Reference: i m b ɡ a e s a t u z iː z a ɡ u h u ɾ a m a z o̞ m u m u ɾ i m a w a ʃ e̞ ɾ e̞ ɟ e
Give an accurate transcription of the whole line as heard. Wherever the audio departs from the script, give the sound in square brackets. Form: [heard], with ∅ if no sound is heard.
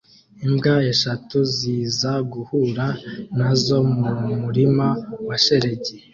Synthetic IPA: i m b ɡ a e [ʃ] a t u z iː z a ɡ u h u ɾ a [n] a z o̞ m u m u ɾ i m a w a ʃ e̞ ɾ e̞ ɟ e